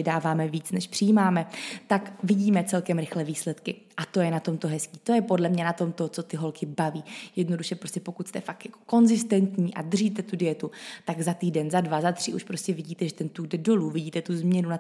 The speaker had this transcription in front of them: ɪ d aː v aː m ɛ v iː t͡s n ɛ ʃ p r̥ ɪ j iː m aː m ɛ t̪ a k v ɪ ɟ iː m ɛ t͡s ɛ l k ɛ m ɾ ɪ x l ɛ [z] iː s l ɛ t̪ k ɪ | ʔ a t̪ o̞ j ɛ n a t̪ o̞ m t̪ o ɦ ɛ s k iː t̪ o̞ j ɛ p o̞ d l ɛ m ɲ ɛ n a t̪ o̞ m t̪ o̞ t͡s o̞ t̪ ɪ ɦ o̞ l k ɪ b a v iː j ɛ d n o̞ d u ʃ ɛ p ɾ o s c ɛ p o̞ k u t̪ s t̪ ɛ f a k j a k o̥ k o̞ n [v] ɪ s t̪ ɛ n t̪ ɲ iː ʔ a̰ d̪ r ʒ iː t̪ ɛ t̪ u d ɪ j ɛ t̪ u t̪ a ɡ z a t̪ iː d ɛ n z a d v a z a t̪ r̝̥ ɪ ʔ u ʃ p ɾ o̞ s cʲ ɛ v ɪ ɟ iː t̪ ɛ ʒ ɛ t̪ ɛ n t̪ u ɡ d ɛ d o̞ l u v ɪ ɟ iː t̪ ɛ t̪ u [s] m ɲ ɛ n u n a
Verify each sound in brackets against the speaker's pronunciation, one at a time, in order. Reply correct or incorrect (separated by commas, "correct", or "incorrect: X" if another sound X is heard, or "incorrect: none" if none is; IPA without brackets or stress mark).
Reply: incorrect: v, incorrect: z, incorrect: z